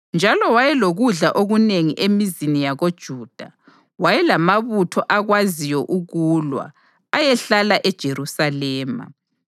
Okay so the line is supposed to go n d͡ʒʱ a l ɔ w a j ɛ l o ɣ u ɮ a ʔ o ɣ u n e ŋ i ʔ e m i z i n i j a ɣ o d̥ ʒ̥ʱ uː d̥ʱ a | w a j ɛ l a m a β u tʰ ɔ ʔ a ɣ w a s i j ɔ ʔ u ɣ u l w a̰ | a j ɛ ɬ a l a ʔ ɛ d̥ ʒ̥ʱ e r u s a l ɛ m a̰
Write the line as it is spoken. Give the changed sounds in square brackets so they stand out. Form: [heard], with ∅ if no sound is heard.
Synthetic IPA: n d͡ʒʱ a l ɔ w a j ɛ l o ɣ u ɮ a ʔ o ɣ u n e ŋ i ʔ e m i z i n i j a ɣ o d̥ ʒ̥ʱ uː d̥ʱ a | w a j ɛ l a m a β u tʰ ɔ ʔ a ɣ w a [z] i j ɔ ʔ u ɣ u l w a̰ | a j ɛ ɬ a l a ʔ ɛ d̥ ʒ̥ʱ e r u s a l [ɛː] m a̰